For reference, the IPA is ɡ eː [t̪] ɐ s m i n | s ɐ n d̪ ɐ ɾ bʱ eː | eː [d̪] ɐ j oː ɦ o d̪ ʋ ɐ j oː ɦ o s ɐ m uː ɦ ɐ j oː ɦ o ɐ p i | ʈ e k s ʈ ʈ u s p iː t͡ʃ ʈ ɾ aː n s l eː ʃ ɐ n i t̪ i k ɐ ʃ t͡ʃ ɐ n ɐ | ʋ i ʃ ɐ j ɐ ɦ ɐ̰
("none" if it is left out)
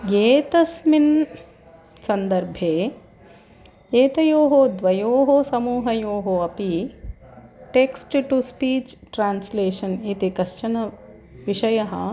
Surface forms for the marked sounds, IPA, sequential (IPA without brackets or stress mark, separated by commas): t̪, t̪